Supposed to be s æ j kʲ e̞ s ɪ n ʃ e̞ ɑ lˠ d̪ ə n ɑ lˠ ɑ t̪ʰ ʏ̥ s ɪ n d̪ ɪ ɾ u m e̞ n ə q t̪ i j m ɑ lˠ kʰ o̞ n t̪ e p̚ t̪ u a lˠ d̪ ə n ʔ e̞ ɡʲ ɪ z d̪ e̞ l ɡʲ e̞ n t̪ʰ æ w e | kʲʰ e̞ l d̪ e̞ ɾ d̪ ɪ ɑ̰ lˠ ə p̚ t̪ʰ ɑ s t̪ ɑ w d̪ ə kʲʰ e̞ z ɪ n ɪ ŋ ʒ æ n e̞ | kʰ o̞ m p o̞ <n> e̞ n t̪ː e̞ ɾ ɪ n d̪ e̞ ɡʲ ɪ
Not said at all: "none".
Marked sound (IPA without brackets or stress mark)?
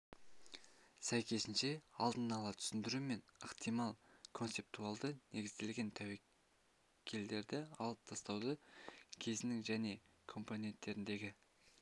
n